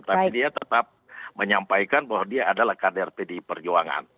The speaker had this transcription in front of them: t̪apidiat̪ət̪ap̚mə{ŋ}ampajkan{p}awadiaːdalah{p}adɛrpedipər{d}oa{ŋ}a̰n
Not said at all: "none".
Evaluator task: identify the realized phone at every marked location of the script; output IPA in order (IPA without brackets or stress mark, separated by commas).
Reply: ɲ, b, k, d͡ʒ, ŋ